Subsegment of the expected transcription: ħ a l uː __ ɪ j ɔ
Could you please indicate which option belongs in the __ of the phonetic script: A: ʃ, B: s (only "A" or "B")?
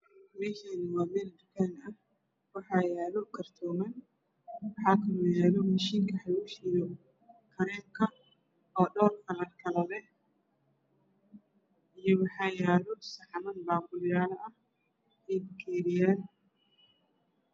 A